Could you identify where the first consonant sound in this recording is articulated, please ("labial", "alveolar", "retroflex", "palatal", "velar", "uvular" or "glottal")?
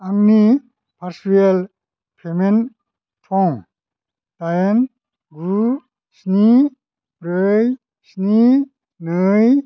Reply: velar